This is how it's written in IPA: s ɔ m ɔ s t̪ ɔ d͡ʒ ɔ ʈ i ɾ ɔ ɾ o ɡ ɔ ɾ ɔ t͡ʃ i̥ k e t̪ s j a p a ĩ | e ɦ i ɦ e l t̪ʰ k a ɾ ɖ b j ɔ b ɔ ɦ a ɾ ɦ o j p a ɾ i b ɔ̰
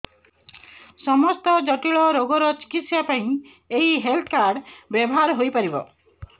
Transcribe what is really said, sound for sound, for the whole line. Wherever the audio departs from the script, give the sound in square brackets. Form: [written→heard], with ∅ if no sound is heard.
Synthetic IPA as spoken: s ɔ m ɔ s t̪ ɔ d͡ʒ ɔ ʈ i [ɾ→ɭ] ɔ ɾ o ɡ ɔ ɾ ɔ t͡ʃ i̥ k [e→i] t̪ s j a p a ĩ | e ɦ i ɦ e l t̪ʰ k a ɾ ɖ b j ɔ b ɔ ɦ a ɾ ɦ o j p a ɾ i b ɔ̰